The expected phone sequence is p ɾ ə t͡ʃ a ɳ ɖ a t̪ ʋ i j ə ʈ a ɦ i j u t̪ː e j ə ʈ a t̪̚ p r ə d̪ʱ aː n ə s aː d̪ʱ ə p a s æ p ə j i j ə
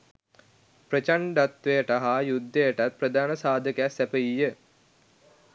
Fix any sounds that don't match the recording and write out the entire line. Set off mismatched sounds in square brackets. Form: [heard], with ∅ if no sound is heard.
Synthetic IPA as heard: p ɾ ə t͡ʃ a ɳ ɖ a t̪ ʋ [e] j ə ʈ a ɦ [a] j u [d̪ː] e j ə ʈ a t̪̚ p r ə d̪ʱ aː n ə s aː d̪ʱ ə [k] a s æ p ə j i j ə